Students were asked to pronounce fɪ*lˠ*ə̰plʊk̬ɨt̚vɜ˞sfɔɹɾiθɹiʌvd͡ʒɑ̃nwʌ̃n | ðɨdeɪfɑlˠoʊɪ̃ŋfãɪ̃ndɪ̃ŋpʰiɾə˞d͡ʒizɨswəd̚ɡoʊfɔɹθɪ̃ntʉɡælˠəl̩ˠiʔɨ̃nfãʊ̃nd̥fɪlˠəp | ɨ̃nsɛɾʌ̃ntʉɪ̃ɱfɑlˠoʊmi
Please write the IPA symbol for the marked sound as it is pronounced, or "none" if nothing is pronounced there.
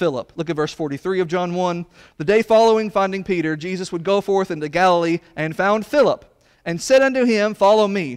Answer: lˠ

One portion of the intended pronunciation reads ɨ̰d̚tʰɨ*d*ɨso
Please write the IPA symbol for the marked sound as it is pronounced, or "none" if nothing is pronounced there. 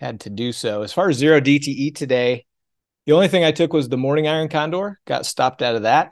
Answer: d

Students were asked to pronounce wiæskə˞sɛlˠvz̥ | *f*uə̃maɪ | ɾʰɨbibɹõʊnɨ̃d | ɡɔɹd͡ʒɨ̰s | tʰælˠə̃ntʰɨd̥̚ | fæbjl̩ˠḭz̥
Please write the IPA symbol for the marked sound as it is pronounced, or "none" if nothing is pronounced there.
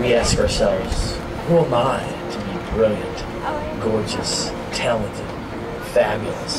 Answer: h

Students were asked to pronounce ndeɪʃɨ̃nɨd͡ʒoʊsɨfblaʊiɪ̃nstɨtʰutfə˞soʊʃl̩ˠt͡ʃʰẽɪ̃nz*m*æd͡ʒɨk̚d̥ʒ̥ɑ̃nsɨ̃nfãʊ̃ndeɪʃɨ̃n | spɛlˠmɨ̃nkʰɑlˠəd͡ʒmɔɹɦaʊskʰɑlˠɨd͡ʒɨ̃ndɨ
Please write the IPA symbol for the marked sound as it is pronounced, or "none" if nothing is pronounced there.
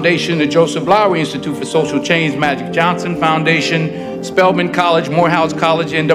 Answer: m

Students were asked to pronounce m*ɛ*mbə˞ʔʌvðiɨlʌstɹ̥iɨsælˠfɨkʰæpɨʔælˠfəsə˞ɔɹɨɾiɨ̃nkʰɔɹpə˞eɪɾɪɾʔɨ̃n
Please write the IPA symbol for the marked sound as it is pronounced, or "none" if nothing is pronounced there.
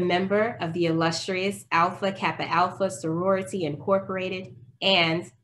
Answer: ɛ̃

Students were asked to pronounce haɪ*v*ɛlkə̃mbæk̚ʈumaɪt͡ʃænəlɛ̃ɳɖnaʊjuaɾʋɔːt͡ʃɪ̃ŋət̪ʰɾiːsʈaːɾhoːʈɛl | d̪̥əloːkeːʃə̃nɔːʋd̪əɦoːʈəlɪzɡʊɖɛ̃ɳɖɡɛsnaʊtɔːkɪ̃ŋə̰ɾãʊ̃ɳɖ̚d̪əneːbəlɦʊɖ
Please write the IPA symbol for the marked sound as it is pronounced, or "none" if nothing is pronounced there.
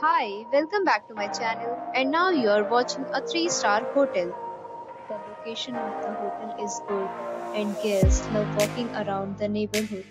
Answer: ʋ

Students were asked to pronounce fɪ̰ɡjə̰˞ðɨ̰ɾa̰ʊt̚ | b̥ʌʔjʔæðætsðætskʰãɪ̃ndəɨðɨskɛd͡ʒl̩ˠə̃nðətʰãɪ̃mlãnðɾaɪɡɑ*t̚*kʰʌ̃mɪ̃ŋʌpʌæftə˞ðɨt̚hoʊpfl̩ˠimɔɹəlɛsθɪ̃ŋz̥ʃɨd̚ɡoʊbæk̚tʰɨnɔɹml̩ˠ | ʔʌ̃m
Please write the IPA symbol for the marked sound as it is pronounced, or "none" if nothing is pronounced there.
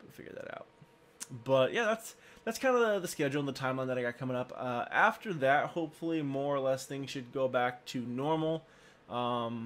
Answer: t̚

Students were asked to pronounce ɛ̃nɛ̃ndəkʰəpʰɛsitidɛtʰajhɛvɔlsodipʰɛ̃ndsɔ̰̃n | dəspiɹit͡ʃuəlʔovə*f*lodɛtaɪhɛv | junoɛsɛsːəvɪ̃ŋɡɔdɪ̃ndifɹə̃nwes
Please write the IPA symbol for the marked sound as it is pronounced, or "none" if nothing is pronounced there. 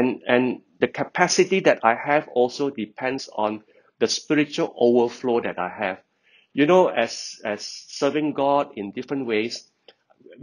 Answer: f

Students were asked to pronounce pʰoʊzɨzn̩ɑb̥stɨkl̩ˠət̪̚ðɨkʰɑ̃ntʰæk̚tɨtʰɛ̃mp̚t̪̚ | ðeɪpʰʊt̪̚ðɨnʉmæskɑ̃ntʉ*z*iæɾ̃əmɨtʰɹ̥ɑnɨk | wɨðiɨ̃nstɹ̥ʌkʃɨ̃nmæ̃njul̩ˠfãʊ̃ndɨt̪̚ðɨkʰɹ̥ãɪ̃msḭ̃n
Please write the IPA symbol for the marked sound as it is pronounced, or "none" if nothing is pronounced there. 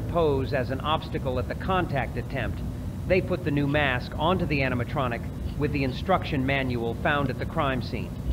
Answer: ð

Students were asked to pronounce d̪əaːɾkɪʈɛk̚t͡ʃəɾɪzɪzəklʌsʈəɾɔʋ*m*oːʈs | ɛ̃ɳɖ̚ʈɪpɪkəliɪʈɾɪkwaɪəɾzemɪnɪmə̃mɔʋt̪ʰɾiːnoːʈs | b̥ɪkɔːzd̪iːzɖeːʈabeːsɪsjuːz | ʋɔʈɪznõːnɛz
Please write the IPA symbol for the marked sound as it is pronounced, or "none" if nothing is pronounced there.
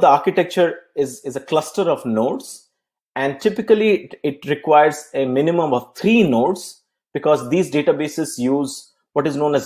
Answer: n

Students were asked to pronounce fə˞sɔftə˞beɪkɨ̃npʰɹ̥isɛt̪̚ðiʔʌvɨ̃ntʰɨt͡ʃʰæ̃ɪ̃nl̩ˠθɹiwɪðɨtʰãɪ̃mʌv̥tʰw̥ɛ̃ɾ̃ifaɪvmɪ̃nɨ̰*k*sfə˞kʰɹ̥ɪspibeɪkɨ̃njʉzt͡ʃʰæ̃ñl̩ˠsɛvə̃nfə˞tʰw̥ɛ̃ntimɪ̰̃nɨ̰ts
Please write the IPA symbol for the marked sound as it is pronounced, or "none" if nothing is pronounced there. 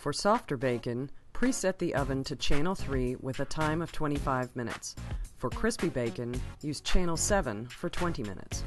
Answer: t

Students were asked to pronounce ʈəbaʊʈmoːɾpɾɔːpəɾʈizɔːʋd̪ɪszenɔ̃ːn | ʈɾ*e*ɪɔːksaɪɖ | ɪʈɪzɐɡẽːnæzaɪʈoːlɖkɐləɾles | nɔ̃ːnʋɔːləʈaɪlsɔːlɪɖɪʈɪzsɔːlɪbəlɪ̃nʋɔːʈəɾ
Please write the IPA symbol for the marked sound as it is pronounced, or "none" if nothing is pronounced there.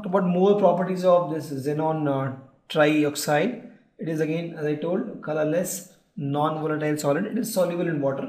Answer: a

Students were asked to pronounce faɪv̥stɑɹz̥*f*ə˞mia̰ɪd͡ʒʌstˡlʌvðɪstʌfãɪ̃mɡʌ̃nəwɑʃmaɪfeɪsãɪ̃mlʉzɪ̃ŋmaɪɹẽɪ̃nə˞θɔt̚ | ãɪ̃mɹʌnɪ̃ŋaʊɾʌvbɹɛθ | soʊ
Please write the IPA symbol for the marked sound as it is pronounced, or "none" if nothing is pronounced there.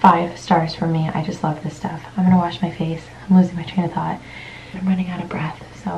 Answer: f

